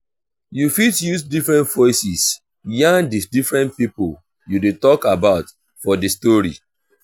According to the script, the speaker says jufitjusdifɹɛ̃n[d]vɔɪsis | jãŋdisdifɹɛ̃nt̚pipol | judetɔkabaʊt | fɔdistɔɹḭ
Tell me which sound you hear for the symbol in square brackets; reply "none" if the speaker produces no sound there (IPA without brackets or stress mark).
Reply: t